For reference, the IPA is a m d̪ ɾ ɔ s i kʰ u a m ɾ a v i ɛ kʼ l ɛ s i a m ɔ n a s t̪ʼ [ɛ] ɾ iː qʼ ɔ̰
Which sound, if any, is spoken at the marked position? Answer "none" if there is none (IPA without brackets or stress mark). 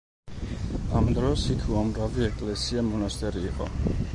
ɛ